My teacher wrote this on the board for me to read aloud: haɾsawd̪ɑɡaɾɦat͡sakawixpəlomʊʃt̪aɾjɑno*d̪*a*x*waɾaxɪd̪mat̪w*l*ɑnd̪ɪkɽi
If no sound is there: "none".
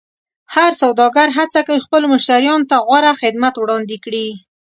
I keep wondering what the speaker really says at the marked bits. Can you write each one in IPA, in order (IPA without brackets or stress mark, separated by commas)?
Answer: t̪, ɣ, ɽ